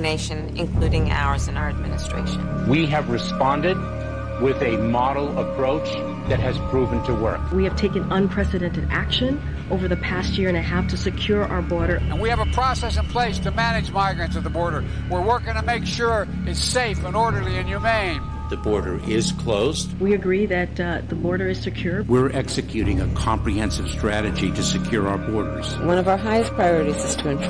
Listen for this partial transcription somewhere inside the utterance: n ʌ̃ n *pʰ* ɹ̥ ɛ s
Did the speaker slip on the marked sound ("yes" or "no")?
no